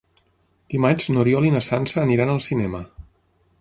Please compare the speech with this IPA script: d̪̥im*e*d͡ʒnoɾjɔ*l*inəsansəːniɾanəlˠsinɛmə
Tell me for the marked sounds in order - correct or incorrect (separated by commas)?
incorrect, correct